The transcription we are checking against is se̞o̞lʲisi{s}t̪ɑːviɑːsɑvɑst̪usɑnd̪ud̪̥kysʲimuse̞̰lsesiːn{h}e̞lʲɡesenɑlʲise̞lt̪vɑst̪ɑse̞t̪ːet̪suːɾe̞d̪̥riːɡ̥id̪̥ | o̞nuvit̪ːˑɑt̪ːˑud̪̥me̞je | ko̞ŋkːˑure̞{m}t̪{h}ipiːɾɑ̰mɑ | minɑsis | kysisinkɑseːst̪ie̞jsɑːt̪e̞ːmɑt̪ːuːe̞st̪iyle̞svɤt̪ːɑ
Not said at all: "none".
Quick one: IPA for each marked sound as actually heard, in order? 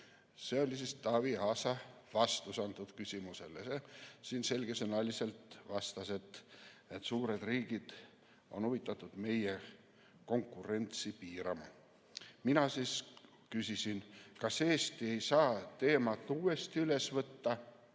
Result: s, s, n, s

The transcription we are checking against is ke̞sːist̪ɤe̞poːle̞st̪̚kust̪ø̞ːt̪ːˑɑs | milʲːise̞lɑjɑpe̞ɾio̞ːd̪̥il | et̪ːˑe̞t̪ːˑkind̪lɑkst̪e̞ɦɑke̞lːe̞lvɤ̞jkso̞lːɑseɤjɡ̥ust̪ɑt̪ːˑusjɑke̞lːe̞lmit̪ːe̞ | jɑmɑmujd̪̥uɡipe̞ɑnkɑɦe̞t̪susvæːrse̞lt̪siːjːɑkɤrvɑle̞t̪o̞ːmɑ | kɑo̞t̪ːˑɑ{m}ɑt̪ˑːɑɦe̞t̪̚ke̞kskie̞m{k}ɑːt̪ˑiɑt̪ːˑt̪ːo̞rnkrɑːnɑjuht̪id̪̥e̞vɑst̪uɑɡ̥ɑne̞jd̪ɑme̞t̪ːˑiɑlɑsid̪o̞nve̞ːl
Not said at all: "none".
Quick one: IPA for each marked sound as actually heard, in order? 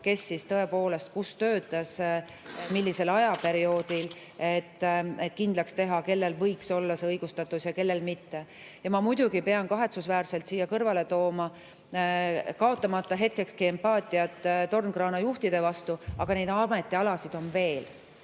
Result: m, p

